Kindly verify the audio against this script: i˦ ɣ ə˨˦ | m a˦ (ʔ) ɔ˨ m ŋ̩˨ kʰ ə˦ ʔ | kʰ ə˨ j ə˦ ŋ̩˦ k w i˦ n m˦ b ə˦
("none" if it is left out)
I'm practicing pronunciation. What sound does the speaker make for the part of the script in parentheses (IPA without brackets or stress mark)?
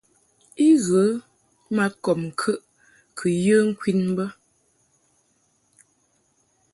k